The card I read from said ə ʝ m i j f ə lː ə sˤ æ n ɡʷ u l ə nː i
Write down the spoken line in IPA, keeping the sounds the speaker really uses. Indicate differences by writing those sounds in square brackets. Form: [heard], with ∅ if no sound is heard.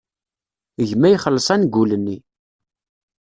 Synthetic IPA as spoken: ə ʝ m [æ] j [χ] ə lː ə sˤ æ n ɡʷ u l ə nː i